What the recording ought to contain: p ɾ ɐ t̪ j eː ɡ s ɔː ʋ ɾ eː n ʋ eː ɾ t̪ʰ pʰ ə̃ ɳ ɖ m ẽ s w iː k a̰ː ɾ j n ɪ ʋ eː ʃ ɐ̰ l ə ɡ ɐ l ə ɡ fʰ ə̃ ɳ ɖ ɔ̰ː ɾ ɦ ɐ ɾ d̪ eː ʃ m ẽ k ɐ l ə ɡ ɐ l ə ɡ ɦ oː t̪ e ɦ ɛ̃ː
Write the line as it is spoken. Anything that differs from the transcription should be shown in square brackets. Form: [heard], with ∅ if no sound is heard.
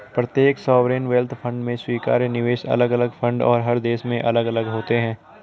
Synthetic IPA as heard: p ɾ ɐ t̪ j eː [k] s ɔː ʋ ɾ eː n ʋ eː [l] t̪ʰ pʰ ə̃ ɳ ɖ m ẽ s w iː k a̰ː ɾ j n ɪ ʋ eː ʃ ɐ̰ l ə ɡ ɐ l ə ɡ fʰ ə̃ ɳ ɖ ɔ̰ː ɾ ɦ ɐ ɾ d̪ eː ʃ m ẽ [ʔ] ɐ l ə ɡ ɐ l ə ɡ ɦ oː t̪ e ɦ ɛ̃ː